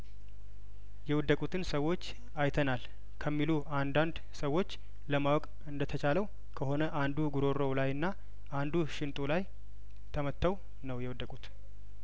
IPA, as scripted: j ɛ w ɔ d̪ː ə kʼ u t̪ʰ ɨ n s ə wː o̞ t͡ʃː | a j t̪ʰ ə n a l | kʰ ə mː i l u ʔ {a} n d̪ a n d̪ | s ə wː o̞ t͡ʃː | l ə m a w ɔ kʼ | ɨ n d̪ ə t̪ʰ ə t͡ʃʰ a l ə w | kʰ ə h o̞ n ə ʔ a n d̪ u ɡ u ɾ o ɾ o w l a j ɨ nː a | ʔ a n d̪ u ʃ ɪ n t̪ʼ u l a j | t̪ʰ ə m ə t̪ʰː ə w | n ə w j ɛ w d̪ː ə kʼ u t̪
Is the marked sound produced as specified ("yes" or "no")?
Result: yes